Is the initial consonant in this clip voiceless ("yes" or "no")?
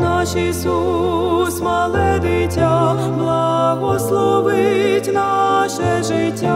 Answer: no